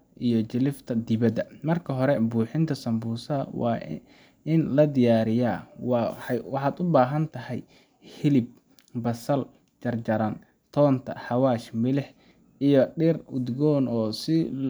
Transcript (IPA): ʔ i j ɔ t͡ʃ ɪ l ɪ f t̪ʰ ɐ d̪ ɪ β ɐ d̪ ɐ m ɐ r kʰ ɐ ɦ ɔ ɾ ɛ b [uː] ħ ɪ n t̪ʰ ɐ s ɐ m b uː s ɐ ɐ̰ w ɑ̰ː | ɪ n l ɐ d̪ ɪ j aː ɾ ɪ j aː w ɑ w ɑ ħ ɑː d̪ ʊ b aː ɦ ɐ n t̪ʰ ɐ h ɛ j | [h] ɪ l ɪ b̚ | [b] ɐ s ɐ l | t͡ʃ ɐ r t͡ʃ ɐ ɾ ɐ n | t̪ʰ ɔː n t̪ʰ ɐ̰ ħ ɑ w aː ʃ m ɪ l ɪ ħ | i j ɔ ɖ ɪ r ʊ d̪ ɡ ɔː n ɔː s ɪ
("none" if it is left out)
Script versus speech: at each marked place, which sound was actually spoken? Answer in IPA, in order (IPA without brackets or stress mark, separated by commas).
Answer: uː, h, b